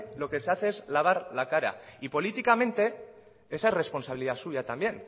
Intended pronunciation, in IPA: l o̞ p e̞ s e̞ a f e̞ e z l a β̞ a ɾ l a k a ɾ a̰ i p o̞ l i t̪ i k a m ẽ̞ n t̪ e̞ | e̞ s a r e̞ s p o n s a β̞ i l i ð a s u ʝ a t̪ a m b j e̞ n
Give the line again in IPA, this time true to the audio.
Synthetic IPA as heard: l o̞ k e̞ s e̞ a θ e̞ e z l a β̞ a ɾ l a k a ɾ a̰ i p o̞ l i t̪ i k a m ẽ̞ n t̪ e̞ | e̞ s a r e̞ s p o n s a β̞ i l i ð a s u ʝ a t̪ a m b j e̞ n